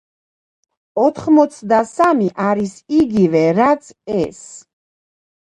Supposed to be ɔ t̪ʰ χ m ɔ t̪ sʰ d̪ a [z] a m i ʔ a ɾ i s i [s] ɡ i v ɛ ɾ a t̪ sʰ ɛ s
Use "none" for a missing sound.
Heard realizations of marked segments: s, none

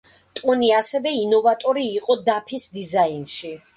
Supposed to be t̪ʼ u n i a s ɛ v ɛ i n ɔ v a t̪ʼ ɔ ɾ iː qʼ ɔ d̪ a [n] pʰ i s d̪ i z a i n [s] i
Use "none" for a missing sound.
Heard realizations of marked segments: none, ʃ

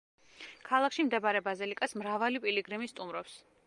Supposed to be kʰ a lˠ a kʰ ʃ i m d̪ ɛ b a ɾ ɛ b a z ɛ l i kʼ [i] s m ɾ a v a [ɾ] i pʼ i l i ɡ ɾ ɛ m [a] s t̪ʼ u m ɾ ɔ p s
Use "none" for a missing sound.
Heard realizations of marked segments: a, l, i

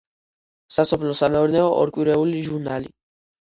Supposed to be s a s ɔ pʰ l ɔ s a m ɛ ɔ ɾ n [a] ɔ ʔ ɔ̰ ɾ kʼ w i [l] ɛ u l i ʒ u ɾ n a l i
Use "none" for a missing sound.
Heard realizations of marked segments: ɛ, ɾ

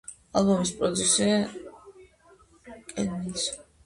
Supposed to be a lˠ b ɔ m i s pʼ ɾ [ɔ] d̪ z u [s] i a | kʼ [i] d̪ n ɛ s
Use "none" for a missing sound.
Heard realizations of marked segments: ɔ, s, ɛ

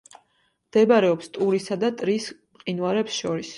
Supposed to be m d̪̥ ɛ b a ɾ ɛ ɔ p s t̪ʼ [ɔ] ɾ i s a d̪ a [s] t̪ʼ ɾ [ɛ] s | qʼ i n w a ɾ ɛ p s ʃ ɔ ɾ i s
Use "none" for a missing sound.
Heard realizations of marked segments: u, none, i

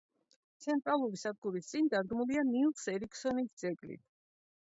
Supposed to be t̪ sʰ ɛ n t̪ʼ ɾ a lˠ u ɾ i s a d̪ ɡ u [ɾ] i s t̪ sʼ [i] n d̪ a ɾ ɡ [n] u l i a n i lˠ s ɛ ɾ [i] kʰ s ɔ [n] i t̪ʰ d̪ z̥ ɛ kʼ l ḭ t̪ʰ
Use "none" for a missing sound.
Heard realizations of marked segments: ɾ, i, m, i, n

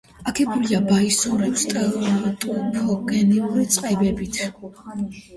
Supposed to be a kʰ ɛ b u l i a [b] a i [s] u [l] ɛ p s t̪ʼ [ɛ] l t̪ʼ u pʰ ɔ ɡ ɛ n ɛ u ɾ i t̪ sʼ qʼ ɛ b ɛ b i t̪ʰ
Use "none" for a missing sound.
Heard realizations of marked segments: b, s, ɾ, ɛ

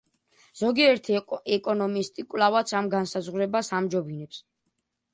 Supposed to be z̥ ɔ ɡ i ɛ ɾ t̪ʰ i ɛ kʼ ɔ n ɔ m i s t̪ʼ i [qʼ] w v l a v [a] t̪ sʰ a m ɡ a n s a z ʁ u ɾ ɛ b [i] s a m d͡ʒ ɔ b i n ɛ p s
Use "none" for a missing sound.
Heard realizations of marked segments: kʼ, a, a

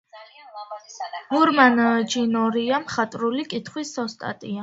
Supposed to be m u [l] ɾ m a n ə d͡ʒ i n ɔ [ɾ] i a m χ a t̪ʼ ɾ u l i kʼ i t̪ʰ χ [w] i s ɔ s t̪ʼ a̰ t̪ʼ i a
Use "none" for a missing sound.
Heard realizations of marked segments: none, ɾ, w

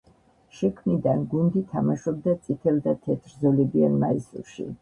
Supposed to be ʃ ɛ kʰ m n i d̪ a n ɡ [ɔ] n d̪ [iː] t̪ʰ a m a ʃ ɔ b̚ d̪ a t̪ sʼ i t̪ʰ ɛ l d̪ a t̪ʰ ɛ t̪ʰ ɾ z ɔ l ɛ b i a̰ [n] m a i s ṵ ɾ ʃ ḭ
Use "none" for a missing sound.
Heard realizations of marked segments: u, i, n

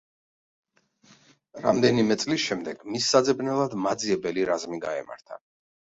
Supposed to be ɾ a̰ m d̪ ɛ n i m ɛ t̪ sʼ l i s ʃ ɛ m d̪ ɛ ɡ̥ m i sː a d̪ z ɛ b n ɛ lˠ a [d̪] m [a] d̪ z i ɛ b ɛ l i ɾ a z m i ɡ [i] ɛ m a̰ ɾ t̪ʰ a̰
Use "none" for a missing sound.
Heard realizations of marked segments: d̪, a, a

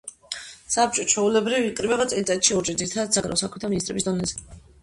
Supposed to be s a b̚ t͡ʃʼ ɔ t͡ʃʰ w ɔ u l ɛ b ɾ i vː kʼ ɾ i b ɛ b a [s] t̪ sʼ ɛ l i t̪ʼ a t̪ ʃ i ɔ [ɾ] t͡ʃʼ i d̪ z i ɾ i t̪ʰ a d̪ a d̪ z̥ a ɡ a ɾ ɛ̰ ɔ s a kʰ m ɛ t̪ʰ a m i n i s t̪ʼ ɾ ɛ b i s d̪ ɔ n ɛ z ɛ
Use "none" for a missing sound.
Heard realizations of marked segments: none, ɾ

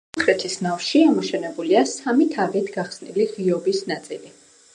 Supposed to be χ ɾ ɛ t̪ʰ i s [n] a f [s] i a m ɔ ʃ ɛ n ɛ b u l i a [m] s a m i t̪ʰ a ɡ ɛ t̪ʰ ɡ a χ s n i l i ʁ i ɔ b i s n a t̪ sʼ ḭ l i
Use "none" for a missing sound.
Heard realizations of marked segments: n, ʃ, none

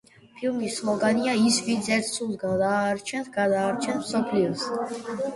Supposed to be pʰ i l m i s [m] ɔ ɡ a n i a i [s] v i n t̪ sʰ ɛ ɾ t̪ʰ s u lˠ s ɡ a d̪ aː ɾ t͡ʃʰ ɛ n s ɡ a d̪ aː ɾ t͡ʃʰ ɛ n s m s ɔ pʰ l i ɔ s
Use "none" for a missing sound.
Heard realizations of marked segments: m, s

